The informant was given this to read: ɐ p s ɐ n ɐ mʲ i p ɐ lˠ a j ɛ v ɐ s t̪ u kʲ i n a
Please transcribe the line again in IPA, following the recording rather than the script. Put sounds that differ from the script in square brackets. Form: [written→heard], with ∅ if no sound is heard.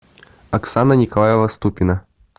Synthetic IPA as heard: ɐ [p→k] s [ɐ→a] n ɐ [mʲ→nʲ] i [p→k] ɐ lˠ a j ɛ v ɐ s t̪ u [kʲ→pʲ] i n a